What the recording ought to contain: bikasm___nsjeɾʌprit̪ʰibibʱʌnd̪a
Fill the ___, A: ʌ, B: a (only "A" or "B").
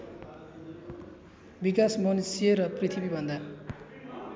A